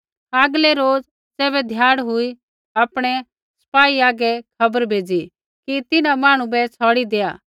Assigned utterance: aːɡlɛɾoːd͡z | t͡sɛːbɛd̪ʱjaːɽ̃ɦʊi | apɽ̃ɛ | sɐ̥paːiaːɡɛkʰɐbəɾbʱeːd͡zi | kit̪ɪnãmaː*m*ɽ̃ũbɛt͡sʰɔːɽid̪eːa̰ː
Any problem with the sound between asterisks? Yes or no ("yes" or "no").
yes